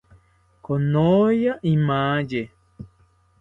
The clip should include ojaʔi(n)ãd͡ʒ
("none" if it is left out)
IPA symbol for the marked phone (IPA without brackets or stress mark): m